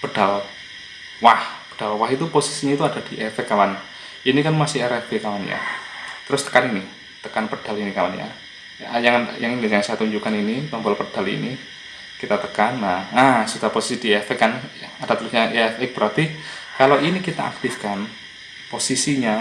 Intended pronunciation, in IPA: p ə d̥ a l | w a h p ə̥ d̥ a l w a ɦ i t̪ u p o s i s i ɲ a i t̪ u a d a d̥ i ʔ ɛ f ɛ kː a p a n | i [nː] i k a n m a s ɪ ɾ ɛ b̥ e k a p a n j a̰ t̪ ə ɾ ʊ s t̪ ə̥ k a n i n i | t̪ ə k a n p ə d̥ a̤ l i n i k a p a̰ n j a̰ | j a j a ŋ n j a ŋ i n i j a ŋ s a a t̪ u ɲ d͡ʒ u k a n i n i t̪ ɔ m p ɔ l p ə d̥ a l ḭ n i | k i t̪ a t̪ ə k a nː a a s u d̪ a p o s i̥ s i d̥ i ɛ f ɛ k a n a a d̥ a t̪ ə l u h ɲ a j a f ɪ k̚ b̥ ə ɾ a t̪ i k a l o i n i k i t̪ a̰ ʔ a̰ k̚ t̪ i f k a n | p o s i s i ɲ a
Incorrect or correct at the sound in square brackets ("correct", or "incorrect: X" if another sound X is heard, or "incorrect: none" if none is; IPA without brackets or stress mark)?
incorrect: n